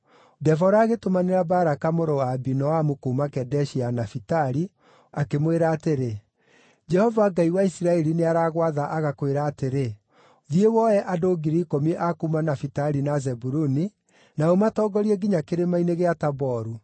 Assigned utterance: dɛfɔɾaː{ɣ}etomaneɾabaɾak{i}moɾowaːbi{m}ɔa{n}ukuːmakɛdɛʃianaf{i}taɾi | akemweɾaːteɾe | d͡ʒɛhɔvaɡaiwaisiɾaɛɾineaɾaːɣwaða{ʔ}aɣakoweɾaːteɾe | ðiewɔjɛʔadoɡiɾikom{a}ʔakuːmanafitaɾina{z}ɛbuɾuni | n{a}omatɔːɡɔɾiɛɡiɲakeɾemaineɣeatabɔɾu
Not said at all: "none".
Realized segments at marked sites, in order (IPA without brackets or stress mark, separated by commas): ɣ, a, n, m, i, ʔ, i, z, a